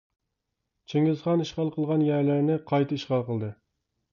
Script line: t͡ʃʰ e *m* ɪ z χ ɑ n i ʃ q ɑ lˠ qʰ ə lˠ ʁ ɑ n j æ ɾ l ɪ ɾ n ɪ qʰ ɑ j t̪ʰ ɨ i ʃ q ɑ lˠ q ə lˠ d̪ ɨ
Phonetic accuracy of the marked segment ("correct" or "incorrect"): incorrect